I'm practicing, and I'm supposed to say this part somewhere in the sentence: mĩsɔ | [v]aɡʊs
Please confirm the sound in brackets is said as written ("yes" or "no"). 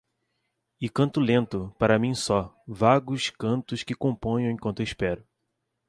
yes